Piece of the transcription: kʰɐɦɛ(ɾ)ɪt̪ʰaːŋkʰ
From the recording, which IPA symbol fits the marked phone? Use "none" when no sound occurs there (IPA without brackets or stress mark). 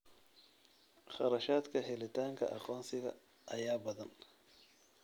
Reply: l